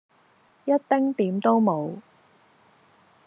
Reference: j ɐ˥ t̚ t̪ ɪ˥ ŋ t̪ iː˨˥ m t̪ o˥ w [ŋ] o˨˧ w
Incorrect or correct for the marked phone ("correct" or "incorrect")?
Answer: incorrect